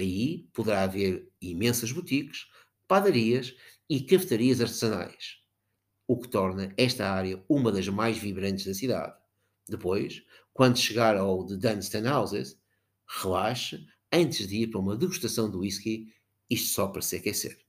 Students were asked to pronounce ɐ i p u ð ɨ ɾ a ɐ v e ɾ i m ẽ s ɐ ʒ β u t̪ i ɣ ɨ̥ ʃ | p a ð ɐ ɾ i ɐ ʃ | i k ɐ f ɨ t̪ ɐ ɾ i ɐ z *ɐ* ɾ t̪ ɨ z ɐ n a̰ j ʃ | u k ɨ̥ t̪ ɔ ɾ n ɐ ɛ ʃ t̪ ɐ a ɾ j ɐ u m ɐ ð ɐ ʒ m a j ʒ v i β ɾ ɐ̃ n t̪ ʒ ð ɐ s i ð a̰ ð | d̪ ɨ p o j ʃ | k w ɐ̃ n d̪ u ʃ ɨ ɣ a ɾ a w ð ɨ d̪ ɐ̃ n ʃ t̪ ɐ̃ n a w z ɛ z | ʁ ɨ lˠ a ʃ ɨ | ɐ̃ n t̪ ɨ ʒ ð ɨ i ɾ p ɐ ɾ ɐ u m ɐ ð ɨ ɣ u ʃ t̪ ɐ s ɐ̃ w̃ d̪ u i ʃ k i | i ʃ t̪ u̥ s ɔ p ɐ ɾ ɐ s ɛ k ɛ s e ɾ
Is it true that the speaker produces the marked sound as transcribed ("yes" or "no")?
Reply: yes